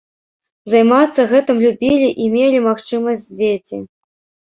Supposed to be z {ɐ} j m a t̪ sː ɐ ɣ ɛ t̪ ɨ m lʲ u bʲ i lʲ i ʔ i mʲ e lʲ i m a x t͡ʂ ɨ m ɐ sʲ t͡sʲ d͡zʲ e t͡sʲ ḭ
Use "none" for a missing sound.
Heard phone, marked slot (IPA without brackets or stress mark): a